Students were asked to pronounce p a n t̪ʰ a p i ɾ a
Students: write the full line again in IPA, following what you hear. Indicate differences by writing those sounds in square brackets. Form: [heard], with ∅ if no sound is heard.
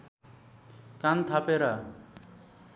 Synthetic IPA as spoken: [k] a n t̪ʰ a p [e] ɾ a